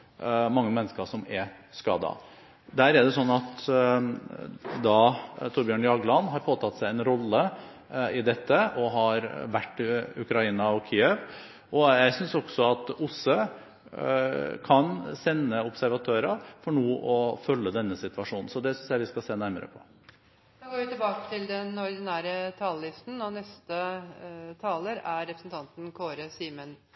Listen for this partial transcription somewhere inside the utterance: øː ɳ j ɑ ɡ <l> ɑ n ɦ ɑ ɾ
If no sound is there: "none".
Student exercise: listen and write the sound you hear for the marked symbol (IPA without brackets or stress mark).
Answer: l